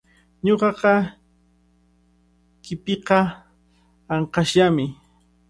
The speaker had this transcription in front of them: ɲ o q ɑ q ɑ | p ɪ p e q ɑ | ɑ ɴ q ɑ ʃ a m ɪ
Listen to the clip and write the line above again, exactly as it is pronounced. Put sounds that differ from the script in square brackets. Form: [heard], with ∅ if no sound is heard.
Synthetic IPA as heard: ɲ o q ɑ q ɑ | [k] ɪ p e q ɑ | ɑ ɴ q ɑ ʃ a m ɪ